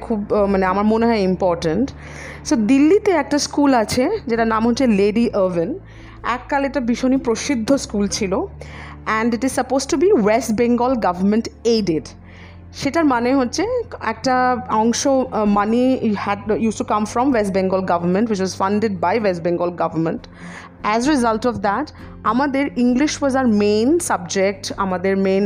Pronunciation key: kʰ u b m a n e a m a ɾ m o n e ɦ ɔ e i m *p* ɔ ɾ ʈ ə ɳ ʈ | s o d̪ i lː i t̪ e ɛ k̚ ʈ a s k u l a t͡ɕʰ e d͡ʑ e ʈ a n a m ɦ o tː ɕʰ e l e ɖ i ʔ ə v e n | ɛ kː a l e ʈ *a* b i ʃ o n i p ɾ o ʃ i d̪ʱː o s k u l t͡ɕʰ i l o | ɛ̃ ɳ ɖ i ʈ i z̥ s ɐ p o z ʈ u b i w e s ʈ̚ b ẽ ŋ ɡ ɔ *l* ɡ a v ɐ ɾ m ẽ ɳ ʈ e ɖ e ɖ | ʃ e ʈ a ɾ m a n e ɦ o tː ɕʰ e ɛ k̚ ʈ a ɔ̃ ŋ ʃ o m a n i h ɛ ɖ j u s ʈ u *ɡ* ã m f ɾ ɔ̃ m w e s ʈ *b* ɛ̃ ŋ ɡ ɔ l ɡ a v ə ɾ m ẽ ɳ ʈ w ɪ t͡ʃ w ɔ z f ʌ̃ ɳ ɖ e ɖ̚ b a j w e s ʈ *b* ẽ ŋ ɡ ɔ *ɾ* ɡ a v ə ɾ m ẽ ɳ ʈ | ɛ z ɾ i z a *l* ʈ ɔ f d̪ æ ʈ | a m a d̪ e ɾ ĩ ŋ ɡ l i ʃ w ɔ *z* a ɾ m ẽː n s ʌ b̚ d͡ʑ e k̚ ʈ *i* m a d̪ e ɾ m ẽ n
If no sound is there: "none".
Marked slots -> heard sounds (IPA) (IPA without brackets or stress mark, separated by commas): p, a, l, k, b, b, l, l, z, a